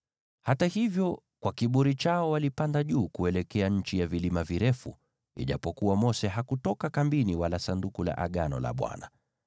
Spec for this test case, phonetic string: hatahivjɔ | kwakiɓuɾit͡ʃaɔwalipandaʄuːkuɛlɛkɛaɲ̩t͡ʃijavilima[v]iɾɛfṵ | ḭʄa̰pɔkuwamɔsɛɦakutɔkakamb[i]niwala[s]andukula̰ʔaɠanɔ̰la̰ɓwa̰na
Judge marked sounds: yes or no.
yes, yes, yes

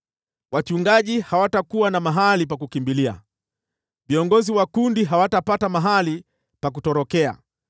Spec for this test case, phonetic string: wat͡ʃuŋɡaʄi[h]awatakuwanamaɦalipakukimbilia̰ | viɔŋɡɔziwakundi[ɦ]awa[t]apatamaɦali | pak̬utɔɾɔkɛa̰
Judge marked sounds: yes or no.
yes, yes, yes

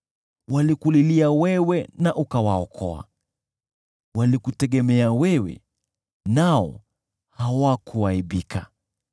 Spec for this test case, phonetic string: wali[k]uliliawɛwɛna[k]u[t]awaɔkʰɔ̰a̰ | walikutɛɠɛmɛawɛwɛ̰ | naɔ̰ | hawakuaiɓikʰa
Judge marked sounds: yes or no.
yes, no, no

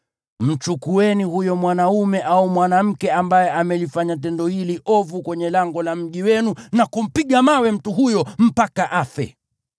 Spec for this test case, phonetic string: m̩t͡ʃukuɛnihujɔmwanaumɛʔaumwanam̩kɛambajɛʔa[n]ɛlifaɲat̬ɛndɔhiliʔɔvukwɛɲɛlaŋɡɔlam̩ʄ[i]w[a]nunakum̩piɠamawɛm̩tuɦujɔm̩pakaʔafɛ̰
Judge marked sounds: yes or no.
no, yes, no

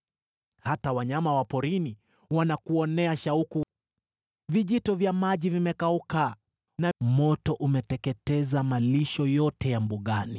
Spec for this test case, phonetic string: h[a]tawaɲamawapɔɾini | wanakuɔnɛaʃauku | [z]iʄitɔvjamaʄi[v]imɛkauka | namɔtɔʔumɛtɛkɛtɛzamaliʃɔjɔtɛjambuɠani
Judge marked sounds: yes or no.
yes, no, yes

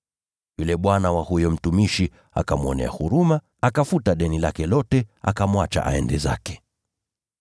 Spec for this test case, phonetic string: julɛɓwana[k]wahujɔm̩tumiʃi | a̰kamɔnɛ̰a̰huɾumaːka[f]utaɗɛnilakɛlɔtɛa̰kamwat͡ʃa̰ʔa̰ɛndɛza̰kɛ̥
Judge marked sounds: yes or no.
no, yes

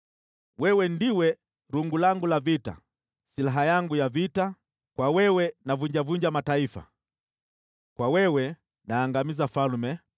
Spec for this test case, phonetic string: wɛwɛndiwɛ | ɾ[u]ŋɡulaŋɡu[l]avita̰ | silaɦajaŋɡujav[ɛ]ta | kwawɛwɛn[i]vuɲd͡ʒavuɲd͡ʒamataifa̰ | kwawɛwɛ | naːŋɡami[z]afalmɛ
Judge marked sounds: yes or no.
yes, yes, no, no, yes

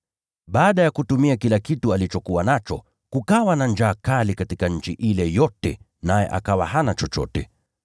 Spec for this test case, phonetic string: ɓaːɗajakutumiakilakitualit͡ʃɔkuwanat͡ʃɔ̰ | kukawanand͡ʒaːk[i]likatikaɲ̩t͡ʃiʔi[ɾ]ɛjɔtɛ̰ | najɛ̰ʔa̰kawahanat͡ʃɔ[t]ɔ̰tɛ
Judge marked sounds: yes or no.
no, no, no

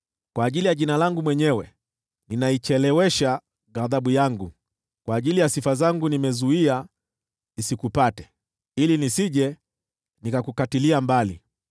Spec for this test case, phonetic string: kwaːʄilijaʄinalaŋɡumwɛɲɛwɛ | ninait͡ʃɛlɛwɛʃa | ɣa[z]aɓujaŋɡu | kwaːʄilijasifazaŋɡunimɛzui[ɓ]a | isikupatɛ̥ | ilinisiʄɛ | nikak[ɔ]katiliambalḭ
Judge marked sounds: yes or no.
no, no, no

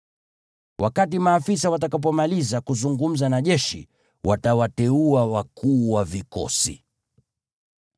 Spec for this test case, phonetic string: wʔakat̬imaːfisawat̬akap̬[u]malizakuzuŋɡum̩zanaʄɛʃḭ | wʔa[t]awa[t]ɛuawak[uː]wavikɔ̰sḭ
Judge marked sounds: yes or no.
no, yes, yes, yes

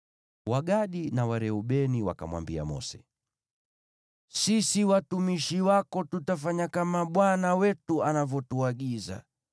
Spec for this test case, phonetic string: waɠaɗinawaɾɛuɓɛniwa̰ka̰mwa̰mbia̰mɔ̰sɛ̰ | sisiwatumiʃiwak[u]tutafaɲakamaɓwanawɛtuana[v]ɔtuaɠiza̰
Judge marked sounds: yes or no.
no, yes

